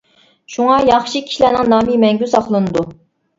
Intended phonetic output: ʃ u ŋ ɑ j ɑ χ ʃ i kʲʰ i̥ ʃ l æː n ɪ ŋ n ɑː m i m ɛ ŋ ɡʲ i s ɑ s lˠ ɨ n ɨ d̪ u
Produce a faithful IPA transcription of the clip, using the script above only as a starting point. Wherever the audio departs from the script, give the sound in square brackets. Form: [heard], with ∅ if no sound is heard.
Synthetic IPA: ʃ u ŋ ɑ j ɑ χ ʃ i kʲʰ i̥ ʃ l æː n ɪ ŋ n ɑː m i m ɛ ŋ ɡʲ [y] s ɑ [χ] lˠ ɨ n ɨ d̪ u